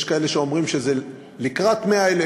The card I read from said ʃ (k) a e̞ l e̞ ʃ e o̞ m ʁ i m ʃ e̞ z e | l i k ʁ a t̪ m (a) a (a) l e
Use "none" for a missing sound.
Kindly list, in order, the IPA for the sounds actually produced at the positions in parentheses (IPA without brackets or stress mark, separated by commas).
k, e, e